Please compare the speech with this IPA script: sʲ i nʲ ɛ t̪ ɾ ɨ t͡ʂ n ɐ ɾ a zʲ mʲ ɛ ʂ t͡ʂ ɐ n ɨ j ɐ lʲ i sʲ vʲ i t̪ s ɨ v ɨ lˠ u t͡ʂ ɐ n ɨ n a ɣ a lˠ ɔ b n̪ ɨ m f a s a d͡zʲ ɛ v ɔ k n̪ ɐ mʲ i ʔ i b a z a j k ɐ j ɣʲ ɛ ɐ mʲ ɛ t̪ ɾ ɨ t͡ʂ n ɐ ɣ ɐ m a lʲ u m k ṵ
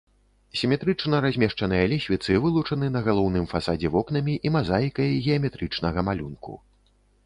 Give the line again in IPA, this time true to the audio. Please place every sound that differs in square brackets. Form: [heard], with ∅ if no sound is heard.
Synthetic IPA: sʲ i [mʲ] ɛ t̪ ɾ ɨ t͡ʂ n ɐ ɾ a zʲ mʲ ɛ ʂ t͡ʂ ɐ n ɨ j ɐ lʲ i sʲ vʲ i t̪ s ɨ v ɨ lˠ u t͡ʂ ɐ n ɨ n [ɐ] ɣ a lˠ ɔ [w] n̪ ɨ m f a s a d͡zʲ ɛ v ɔ k n̪ ɐ mʲ i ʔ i [m] a z a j k ɐ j ɣʲ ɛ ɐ mʲ ɛ t̪ ɾ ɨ t͡ʂ n ɐ ɣ ɐ m a lʲ u [n] k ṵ